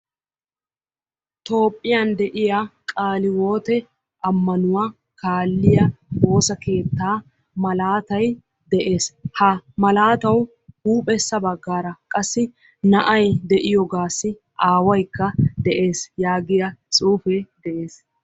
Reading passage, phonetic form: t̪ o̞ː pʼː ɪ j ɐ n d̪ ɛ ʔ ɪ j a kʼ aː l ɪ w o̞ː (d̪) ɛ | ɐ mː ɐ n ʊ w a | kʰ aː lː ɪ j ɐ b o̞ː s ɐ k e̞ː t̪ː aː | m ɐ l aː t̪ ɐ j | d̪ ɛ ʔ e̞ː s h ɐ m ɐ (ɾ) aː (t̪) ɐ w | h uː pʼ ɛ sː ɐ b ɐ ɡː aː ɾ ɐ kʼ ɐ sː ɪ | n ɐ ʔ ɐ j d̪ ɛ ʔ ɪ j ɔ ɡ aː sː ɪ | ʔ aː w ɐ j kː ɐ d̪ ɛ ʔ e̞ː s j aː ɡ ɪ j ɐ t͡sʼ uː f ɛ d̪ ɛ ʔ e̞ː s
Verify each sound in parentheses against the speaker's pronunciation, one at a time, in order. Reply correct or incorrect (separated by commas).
incorrect, incorrect, correct